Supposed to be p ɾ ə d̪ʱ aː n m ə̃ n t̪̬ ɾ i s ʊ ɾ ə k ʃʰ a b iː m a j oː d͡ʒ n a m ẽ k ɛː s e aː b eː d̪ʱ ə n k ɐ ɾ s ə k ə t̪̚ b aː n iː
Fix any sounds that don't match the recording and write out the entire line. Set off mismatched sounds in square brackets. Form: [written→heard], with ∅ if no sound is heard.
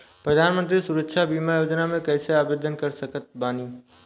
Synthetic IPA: p ɾ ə d̪ʱ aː n m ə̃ n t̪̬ ɾ i s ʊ ɾ ə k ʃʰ a b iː m a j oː d͡ʒ n a m ẽ k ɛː s e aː b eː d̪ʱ ə n k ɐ ɾ s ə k ə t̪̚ b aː n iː